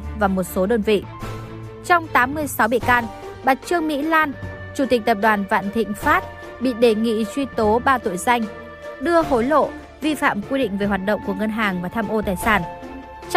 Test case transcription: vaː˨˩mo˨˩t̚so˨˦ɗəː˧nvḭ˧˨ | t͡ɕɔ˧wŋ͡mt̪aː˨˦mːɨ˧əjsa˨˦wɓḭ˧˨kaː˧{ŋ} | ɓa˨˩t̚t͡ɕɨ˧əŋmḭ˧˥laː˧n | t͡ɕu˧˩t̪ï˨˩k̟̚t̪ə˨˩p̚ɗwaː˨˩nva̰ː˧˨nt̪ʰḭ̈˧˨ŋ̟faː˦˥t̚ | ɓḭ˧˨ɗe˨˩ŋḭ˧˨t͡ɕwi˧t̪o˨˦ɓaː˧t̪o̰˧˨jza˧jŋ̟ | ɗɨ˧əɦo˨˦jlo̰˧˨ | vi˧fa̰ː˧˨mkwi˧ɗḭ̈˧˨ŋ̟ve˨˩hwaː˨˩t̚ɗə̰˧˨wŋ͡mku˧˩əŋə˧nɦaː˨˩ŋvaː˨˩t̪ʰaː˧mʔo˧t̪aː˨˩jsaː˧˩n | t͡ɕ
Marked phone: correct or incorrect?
incorrect